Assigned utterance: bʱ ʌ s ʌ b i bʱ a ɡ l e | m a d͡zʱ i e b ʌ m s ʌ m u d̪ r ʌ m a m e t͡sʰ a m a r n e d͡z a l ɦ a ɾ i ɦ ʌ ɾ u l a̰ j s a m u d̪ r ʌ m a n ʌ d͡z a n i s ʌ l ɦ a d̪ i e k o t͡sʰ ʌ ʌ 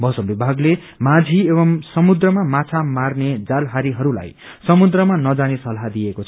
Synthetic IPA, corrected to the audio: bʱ ʌ s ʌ b i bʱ a ɡ l e | m a d͡zʱ i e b ʌ m s ʌ m u d̪ r ʌ m a m a t͡sʰ a m a r n e d͡z a l ɦ a ɾ i ɦ ʌ ɾ u l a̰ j s ʌ m u d̪ r ʌ m a n ʌ d͡z a n e s ʌ l ɦ a d̪ i e k o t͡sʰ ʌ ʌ